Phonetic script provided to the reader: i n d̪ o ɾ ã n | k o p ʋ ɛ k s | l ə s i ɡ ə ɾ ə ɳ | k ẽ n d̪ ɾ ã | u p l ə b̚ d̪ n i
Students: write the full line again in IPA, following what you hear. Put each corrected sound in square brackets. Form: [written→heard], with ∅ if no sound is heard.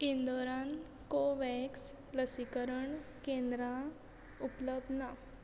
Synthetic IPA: i n d̪ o ɾ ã n | k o [p→∅] ʋ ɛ k s | l ə s i [ɡ→k] ə ɾ ə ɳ | k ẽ n d̪ ɾ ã | u p l ə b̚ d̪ n [i→a]

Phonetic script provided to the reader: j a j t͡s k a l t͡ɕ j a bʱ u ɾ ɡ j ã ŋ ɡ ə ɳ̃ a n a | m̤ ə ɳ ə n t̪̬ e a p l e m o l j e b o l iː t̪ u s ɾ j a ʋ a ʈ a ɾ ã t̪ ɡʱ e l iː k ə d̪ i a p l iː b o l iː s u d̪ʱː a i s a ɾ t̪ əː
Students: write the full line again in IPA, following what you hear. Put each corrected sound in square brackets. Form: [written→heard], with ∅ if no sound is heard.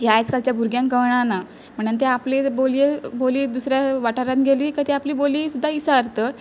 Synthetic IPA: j a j t͡s k a l t͡ɕ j a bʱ u ɾ ɡ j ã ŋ [ɡ→k] ə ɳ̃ a n a | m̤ ə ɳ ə n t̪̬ e a p l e [m→b] o l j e b o l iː [t̪→d̪] u s ɾ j a ʋ a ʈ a ɾ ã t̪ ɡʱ e l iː k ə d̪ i a p l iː b o l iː s u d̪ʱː a i s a ɾ t̪ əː

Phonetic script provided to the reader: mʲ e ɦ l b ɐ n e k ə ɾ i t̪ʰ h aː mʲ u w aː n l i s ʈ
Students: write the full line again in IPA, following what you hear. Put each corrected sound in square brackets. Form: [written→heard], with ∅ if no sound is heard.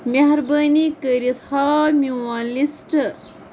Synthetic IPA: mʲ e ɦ [l→ɾ] b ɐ n [e→i] k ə ɾ i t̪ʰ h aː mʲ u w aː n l i s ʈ

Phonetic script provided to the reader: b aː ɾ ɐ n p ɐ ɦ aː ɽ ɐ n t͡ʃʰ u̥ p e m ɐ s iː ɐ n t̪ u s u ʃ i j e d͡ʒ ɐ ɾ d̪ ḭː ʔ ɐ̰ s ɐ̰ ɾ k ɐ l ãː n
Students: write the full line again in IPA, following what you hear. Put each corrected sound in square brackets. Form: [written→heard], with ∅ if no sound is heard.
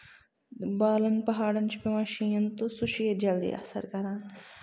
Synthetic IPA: b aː [ɾ→l] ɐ n p ɐ ɦ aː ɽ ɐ n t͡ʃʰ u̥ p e m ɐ [s→ʃ] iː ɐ n t̪ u s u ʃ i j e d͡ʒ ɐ [ɾ→l] d̪ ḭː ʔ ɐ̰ s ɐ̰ ɾ k ɐ [l→ɾ] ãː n

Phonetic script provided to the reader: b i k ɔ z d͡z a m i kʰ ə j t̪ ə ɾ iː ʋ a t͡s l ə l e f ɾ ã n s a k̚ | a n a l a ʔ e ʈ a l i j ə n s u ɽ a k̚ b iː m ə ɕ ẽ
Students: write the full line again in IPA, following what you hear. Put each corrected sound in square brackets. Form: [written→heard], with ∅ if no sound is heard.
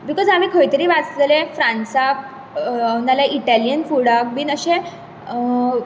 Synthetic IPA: b i k ɔ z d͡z a m i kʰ ə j t̪ ə ɾ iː ʋ a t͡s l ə l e f ɾ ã n s a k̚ | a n a l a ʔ [e→i] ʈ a l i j ə n [s→f] u ɽ a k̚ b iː [m→n] ə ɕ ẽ

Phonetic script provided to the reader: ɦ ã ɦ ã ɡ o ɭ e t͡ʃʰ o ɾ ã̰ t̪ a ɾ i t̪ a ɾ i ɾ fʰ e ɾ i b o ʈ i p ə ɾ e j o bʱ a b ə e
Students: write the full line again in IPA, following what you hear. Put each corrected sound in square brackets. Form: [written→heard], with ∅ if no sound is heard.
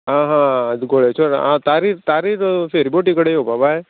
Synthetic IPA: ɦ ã ɦ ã ɡ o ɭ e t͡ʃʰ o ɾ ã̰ t̪ a ɾ i t̪ a ɾ i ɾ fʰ e ɾ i b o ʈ i [p→k] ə [ɾ→ɽ] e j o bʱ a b [ə→a] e

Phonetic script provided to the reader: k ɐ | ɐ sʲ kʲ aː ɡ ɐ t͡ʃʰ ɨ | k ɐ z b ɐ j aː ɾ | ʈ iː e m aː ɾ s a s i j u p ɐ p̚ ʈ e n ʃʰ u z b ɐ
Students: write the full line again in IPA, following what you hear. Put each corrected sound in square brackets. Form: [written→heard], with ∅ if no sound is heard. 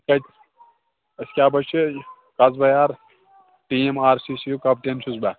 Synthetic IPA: k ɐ | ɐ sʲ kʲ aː [ɡ→b] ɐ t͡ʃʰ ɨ | k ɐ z b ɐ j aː ɾ | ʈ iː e m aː ɾ s [a→i] s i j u [p→k] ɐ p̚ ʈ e n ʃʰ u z b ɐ

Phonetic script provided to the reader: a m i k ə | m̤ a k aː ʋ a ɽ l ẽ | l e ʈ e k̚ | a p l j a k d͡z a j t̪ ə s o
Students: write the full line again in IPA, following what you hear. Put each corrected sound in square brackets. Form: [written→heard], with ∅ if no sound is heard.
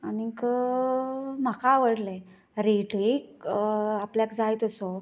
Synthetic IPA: a [m→n] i k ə | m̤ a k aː ʋ [a→ə] ɽ l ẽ | [l→ɾ] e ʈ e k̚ | a p l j a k d͡z a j t̪ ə s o

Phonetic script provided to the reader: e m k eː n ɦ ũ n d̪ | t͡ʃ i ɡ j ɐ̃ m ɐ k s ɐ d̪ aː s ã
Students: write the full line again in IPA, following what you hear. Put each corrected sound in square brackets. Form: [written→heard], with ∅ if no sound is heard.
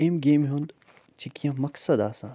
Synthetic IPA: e m [k→ɡ] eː [n→m] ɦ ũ n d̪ | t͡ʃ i [ɡ→k] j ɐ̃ m ɐ k s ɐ d̪ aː s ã

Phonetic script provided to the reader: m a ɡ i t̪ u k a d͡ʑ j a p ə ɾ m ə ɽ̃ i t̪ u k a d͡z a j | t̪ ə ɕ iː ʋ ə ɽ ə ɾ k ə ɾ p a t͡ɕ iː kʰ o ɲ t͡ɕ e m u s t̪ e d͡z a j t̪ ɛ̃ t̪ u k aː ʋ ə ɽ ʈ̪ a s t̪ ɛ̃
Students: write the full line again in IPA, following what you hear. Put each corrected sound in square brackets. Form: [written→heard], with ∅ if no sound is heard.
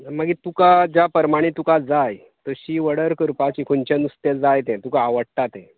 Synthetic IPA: m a ɡ i t̪ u k a d͡ʑ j a p ə ɾ m [ə→a] ɽ̃ i t̪ u k a d͡z a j | t̪ ə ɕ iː ʋ ə ɽ ə ɾ k ə ɾ p a t͡ɕ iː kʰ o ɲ t͡ɕ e [m→n] u s t̪ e d͡z a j t̪ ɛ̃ t̪ u k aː ʋ ə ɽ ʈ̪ a [s→∅] t̪ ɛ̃

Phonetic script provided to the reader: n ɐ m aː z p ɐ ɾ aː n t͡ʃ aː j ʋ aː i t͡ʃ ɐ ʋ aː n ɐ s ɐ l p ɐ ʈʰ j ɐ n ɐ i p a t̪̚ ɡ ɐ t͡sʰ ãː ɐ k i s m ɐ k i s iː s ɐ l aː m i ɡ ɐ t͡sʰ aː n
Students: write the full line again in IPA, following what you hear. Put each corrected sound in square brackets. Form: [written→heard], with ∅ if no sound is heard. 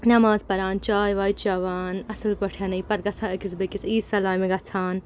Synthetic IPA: n ɐ m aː z p ɐ ɾ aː n t͡ʃ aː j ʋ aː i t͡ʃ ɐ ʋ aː n ɐ s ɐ l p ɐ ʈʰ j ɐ n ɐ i p [a→ɐ] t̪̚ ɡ ɐ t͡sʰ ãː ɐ k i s [m→b] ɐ k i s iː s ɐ l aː m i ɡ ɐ t͡sʰ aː n

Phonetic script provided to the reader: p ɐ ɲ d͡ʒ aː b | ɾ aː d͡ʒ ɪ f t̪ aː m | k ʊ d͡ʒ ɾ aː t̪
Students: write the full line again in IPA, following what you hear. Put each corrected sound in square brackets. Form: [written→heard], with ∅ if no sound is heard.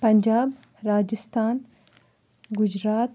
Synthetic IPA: p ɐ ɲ d͡ʒ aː b | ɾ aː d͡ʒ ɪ [f→s] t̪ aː [m→n] | [k→ɡ] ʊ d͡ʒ ɾ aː t̪

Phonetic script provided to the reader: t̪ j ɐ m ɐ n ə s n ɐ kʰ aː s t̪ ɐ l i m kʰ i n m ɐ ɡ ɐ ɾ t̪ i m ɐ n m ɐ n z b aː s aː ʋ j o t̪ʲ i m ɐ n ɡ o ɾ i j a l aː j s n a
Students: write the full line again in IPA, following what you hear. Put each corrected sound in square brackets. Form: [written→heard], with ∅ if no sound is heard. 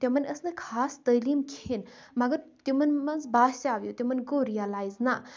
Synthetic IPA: t̪ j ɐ m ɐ n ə s n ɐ kʰ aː s t̪ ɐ l i m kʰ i n m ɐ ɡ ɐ ɾ t̪ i m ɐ n m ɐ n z b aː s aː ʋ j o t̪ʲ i m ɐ n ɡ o ɾ i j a l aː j [s→z] n a

